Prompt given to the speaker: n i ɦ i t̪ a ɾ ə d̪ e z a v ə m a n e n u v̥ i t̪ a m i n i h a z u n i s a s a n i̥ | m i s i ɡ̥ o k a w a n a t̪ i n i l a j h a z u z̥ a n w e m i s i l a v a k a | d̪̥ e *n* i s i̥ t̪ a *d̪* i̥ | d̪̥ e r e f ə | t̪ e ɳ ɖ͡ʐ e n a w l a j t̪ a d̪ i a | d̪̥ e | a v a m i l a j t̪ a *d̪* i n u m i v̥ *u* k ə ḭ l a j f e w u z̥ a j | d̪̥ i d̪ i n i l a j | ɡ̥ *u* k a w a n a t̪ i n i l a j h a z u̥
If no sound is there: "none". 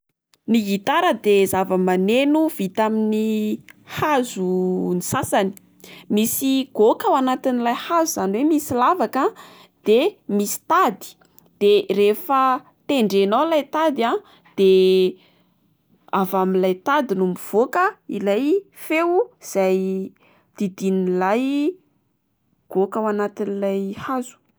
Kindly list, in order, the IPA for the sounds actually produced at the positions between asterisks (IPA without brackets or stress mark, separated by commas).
m, d̪, d̪, o, o